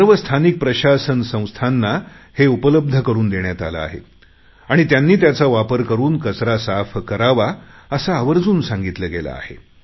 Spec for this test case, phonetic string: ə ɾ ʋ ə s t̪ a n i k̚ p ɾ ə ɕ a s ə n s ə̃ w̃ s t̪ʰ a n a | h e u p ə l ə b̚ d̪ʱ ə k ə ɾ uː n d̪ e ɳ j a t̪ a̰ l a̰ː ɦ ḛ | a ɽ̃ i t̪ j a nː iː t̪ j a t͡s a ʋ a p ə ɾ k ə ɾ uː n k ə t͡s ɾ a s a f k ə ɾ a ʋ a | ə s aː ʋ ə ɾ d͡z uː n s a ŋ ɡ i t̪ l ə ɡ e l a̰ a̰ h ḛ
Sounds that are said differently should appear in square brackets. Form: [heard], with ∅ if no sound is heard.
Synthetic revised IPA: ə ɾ ʋ ə s [t̪ʰ] a n i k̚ p ɾ ə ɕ a s ə n s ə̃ w̃ s t̪ʰ a [nː] a | h e u p ə l ə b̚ d̪ʱ ə k ə ɾ uː n d̪ e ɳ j a t̪ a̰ l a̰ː ɦ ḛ | a ɽ̃ i t̪ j a nː iː t̪ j a t͡s a ʋ a p ə ɾ k ə ɾ uː n k ə t͡s ɾ a s a f k ə ɾ a ʋ a | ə s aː ʋ ə ɾ d͡z uː n s a ŋ ɡ i t̪ l ə ɡ e l a̰ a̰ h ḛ